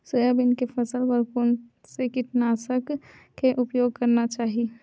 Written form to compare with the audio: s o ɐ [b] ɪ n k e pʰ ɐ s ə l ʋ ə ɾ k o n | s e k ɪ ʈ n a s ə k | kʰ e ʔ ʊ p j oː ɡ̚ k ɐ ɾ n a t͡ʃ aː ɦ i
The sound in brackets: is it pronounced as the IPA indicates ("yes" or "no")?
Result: yes